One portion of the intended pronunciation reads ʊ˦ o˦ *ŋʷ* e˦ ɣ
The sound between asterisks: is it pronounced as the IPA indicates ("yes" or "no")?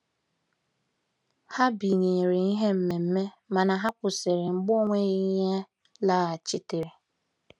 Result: yes